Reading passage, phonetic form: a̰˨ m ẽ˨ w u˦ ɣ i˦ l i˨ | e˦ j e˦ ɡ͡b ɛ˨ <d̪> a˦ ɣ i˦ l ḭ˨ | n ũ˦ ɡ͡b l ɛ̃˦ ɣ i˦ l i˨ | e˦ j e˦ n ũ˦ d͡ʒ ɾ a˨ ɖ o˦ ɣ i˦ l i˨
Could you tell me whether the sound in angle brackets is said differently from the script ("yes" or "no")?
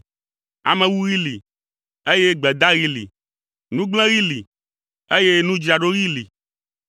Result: no